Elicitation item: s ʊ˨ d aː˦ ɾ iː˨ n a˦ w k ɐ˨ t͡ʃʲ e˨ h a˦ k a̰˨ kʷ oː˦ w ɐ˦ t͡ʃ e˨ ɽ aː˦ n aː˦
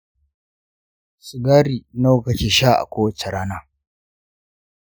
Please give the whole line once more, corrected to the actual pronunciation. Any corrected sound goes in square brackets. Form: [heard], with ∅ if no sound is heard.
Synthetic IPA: s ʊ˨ [ɡ] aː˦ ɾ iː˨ n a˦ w k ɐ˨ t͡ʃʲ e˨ [ʃ] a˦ [ʔ] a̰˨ kʷ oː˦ w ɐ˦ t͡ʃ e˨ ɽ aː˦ n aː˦